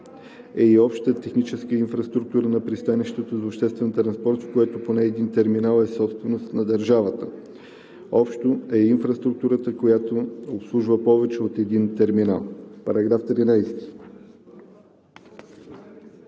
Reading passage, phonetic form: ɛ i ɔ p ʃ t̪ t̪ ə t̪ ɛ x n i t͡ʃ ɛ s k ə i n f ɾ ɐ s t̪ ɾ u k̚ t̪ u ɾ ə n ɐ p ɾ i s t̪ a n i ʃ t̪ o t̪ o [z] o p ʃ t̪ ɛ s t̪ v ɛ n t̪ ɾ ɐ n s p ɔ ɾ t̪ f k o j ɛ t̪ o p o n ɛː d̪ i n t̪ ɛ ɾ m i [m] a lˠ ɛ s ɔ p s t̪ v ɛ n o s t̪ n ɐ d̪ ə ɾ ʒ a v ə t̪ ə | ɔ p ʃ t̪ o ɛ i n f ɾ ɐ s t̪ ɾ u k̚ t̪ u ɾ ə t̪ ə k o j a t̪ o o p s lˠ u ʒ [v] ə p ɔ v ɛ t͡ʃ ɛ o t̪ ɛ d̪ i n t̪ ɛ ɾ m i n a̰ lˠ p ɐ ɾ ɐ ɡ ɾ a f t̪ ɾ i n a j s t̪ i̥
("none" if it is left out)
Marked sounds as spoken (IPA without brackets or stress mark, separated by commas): z, n, v